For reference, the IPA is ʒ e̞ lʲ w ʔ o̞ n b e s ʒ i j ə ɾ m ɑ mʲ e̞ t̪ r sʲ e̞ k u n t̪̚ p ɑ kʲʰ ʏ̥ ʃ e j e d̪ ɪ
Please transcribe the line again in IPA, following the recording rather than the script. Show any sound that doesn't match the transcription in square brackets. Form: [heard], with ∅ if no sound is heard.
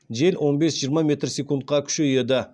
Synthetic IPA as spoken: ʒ e̞ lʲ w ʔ o̞ n b e s ʒ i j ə ɾ m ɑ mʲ e̞ t̪ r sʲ e̞ k u n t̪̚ [q] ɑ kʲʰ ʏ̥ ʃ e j e d̪ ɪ

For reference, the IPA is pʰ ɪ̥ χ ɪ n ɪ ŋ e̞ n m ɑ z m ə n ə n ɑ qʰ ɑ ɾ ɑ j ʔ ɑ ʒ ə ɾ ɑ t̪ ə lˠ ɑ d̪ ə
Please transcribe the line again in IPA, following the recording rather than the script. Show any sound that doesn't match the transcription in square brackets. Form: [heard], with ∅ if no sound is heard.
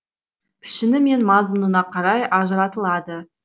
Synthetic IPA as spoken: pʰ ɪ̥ [ʃ] ɪ n ɪ [m] e̞ n m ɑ z m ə n ə n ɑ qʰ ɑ ɾ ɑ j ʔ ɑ ʒ ə ɾ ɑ t̪ ə lˠ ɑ d̪ ə

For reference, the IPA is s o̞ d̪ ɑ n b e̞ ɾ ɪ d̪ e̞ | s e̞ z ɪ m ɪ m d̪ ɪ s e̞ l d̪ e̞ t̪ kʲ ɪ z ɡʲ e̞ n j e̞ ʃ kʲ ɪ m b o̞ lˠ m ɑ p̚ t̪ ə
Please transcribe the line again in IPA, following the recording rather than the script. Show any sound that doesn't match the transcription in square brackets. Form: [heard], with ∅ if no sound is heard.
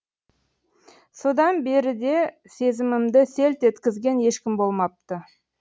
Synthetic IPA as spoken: s o̞ d̪ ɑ n b e̞ ɾ ɪ d̪ e̞ | s e̞ z ɪ m ɪ m d̪ ɪ s e̞ l [t̪] e̞ t̪ kʲ ɪ z ɡʲ e̞ n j e̞ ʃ kʲ ɪ m b o̞ lˠ m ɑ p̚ t̪ ə

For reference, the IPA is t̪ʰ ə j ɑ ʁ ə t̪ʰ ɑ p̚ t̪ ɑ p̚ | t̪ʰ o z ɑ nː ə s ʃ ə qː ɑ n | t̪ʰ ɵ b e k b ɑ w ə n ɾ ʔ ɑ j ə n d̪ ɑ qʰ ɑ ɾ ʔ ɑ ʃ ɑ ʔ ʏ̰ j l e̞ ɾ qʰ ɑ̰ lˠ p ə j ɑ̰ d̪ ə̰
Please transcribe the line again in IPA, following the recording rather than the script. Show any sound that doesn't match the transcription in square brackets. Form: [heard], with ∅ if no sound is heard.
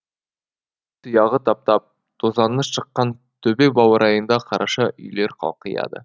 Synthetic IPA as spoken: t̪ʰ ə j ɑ ʁ ə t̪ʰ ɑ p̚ t̪ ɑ p̚ | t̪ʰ o z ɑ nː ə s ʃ ə qː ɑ n | t̪ʰ ɵ b e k b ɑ w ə [∅] ɾ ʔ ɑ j ə n d̪ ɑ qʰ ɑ ɾ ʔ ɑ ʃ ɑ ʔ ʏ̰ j l e̞ ɾ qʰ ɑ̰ lˠ [q] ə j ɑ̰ d̪ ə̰

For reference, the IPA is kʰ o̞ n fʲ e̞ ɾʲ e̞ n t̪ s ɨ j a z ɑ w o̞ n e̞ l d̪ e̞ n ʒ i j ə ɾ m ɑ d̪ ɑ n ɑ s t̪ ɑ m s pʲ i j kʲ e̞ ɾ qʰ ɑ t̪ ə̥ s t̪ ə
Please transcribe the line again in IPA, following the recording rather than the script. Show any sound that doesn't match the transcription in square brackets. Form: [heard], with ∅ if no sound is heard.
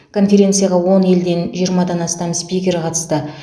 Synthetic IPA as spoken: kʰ o̞ n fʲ e̞ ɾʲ e̞ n t̪ s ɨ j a [ʁ] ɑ w o̞ n e̞ l d̪ e̞ n ʒ i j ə ɾ m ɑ d̪ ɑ n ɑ s t̪ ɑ m s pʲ i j kʲ e̞ ɾ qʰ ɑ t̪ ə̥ s t̪ ə

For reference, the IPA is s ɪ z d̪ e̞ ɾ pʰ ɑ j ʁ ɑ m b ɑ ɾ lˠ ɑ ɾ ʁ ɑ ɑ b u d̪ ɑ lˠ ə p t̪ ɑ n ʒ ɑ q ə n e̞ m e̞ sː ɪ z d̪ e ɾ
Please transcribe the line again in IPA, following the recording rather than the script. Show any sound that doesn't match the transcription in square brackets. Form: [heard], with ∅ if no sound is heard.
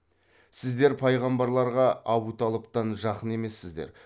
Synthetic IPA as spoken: s ɪ z d̪ e̞ ɾ pʰ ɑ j ʁ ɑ m b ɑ ɾ lˠ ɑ ɾ ʁ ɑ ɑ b u [t̪] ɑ lˠ ə p t̪ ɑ n ʒ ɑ q ə n e̞ m e̞ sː ɪ z d̪ e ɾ

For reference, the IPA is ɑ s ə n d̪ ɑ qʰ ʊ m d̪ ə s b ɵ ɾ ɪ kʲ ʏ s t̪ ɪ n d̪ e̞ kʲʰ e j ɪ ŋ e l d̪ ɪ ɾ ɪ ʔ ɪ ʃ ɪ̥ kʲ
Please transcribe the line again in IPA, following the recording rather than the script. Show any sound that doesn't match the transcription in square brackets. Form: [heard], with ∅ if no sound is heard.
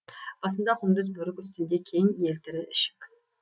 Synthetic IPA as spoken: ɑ s ə n d̪ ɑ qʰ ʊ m d̪ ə [z] b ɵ ɾ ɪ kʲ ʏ s t̪ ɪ n d̪ e̞ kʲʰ e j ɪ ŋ e l [t̪] ɪ ɾ ɪ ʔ ɪ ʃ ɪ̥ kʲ

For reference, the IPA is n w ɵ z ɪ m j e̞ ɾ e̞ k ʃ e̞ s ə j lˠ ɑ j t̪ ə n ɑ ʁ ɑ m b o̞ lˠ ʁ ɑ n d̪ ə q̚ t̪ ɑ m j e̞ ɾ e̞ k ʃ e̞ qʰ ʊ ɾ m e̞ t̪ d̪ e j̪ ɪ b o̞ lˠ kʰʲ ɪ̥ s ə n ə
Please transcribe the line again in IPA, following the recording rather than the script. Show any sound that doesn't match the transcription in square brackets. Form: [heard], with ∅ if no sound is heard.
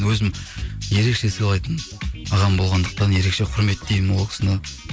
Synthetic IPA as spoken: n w ɵ z ɪ m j e̞ ɾ e̞ k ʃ e̞ s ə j lˠ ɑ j t̪ ə n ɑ ʁ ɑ m b o̞ lˠ ʁ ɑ n d̪ ə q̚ t̪ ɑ [n] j e̞ ɾ e̞ k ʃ e̞ qʰ ʊ ɾ m e̞ t̪ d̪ e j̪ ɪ [m] o̞ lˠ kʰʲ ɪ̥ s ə n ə

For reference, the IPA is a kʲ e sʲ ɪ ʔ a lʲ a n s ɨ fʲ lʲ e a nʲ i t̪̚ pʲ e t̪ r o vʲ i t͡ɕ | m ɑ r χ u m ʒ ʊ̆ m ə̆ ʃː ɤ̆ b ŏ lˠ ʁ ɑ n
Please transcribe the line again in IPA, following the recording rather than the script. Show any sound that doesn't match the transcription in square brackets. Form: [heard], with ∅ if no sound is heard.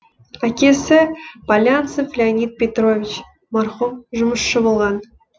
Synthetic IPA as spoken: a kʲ e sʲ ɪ [p] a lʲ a n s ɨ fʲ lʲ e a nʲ i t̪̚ pʲ e t̪ r o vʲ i t͡ɕ | m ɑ r χ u m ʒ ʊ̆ m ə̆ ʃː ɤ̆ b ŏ lˠ ʁ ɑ n

